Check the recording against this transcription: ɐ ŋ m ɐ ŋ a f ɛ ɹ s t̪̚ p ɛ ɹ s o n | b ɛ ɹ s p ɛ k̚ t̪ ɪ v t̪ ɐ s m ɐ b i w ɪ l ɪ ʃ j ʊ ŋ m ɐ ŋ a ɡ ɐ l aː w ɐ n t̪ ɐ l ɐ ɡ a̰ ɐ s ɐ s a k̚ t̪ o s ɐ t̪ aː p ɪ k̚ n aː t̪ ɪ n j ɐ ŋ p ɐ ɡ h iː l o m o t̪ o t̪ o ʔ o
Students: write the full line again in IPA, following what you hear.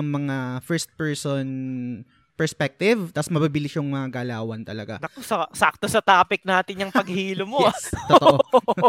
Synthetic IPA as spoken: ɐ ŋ m ɐ ŋ a f ɛ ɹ s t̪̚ p ɛ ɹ s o n | p ɛ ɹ s p ɛ k̚ t̪ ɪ v t̪ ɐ s m ɐ b i b ɪ l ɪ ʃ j ʊ ŋ m ɐ ŋ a ɡ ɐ l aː w ɐ n t̪ ɐ l ɐ ɡ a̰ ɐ s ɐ s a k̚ t̪ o s ɐ t̪ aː p ɪ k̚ n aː t̪ ɪ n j ɐ ŋ p ɐ ɡ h iː l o m o t̪ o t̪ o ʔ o